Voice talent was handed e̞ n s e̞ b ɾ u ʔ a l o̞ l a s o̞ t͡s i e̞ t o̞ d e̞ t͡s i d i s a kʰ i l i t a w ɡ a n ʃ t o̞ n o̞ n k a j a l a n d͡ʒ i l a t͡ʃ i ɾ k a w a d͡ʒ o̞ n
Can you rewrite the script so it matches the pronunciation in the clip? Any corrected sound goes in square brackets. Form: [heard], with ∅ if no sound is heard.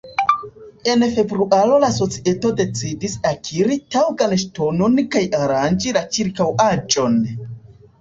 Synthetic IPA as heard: e̞ n [f] e̞ b ɾ u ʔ a l o̞ l a s o̞ t͡s i e̞ t o̞ d e̞ t͡s i d i s a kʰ i [ɾ] i t a w ɡ a n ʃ t o̞ n o̞ n k a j a [ɾ] a n d͡ʒ i l a t͡ʃ i ɾ k a w a d͡ʒ o̞ n